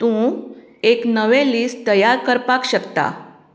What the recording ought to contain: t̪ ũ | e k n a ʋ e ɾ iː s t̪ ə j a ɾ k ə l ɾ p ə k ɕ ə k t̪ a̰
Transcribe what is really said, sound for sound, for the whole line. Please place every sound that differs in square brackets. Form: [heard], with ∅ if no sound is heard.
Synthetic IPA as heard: t̪ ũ | e k n [ə] ʋ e [l] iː s t̪ ə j a ɾ k ə [∅] ɾ p [a] k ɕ ə k t̪ a̰